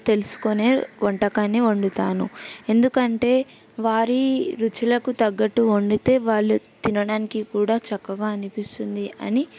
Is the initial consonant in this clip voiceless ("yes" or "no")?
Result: yes